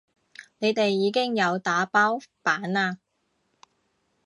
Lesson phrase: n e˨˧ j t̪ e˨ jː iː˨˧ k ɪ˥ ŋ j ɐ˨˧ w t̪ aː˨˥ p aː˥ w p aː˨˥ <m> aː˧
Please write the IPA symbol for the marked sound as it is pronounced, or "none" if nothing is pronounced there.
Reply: n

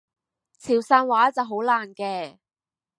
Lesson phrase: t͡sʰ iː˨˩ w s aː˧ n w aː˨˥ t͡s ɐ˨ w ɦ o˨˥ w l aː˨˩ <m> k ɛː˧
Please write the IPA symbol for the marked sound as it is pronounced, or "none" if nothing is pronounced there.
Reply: n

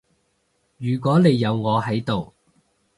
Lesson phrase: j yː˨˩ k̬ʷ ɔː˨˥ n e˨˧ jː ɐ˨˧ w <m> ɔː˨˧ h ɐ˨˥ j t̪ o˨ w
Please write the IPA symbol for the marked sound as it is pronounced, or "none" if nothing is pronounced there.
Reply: ŋ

